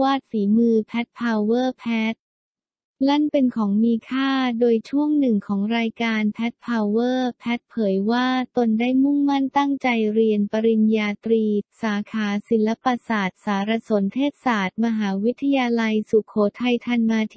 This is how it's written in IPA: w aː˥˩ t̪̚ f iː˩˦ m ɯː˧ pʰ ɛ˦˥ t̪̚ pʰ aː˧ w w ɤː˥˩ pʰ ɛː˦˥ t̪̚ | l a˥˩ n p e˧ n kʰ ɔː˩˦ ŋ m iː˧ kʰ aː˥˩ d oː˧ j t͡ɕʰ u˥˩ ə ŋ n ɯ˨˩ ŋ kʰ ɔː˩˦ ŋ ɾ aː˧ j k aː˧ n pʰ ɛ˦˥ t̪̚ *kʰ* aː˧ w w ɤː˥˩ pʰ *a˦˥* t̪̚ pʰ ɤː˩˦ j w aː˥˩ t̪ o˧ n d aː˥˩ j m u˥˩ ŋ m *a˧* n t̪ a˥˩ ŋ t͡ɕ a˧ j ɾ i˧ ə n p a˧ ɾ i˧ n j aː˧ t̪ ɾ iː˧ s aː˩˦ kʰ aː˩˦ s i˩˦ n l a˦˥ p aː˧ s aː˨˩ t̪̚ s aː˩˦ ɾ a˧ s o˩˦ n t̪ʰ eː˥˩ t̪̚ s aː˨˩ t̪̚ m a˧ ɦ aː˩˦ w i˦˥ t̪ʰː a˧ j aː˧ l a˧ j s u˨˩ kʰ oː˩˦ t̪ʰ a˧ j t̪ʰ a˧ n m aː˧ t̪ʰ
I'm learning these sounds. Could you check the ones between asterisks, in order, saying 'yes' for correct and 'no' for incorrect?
no, no, no

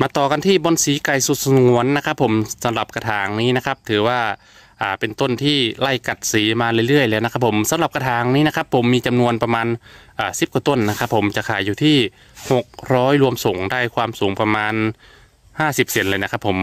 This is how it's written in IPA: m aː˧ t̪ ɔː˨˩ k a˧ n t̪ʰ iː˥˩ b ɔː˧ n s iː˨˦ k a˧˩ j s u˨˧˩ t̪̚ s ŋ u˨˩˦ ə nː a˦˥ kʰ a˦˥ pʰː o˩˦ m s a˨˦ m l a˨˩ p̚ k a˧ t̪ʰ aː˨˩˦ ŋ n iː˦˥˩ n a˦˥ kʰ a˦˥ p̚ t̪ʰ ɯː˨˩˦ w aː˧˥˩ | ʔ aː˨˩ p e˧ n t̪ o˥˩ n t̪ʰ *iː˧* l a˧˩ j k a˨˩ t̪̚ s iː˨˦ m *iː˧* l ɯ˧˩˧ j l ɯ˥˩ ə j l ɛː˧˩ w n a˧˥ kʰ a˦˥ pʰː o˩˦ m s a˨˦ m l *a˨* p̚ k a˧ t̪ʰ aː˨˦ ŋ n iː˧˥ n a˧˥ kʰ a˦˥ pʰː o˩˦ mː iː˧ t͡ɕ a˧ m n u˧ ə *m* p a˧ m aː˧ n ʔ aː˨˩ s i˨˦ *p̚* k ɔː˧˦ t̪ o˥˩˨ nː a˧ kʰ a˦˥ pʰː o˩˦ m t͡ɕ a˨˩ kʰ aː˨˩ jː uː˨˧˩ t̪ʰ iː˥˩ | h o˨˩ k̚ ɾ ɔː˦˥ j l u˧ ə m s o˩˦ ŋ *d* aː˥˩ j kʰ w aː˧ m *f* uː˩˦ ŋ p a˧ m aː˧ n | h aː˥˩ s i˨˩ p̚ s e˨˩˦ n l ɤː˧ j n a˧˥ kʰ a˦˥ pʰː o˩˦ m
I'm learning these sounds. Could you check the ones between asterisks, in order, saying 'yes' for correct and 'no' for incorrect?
no, no, yes, no, yes, yes, no

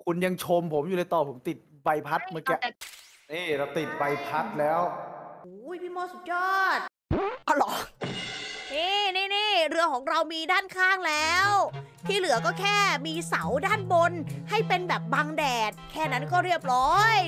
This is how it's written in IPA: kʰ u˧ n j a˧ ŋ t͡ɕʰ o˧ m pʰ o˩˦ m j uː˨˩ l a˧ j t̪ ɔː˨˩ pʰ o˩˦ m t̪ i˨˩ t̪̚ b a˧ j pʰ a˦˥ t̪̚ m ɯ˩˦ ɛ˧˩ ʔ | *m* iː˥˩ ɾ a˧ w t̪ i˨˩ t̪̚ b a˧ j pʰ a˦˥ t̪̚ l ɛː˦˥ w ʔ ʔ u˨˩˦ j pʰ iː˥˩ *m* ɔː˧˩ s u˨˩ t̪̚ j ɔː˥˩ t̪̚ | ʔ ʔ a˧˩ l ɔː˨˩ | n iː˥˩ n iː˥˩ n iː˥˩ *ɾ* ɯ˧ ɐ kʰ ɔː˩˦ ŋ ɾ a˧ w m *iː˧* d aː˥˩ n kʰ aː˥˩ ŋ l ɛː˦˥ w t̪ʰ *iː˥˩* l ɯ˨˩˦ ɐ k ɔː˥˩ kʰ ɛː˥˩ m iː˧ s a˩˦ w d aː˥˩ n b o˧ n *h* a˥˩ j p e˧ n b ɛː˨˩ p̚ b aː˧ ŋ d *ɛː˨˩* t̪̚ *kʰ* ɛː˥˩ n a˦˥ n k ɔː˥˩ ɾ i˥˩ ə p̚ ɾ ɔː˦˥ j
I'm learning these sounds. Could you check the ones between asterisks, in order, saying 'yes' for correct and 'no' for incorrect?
no, yes, yes, yes, yes, yes, yes, yes

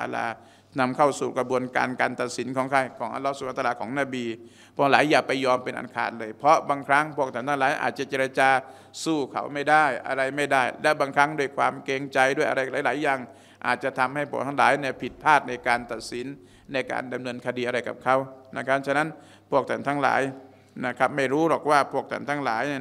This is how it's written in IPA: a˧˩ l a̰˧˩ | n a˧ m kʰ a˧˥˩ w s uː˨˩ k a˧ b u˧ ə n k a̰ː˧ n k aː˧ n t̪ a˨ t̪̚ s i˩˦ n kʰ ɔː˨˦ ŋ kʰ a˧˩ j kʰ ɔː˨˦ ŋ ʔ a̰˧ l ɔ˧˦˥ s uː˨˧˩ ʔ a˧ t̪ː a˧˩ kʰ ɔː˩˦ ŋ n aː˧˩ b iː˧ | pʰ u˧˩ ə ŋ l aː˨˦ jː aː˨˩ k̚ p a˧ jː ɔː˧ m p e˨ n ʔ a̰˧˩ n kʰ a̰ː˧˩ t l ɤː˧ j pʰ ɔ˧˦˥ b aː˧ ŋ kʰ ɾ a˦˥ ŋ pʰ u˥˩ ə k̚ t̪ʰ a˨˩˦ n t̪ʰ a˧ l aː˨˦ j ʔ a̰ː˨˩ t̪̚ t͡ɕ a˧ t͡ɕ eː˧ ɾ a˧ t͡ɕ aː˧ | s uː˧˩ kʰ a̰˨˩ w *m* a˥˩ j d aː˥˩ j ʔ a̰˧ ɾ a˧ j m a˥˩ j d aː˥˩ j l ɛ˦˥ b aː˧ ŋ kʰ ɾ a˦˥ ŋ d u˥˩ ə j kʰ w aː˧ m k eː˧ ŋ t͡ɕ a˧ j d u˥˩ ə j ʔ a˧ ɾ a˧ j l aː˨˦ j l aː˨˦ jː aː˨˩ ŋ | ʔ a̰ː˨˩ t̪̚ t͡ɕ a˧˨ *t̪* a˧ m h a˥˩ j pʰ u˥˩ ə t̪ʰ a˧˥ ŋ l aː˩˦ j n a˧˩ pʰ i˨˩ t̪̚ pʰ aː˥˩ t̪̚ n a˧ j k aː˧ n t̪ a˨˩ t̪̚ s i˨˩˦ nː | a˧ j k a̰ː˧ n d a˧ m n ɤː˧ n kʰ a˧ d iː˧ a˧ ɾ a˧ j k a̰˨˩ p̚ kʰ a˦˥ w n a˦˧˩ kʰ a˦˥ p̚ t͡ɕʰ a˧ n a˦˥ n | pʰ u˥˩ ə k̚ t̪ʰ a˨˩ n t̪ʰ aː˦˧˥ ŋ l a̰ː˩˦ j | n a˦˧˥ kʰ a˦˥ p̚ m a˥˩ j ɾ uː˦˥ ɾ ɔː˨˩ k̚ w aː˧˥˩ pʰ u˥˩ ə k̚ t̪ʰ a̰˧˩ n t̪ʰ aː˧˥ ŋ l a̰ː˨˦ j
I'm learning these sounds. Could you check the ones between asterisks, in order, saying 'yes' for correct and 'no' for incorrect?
yes, no

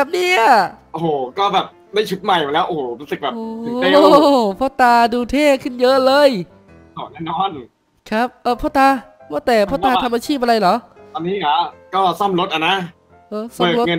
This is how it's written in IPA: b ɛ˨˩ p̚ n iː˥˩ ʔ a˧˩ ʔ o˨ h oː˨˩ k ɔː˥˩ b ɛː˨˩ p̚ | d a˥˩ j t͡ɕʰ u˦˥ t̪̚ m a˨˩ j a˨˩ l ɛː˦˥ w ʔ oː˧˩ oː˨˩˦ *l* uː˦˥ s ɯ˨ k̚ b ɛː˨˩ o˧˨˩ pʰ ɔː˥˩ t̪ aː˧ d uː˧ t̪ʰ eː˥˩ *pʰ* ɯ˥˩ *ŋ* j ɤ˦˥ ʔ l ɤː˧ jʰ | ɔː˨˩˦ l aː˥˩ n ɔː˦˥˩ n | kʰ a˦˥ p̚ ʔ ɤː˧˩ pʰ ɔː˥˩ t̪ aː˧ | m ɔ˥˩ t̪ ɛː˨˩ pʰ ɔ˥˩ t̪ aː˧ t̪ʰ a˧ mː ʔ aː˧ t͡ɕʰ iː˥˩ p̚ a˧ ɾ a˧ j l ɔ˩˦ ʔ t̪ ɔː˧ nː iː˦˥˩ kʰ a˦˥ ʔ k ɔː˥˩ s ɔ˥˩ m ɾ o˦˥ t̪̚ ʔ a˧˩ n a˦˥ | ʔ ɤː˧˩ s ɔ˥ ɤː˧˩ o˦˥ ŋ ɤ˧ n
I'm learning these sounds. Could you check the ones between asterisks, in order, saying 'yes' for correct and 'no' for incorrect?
no, no, no

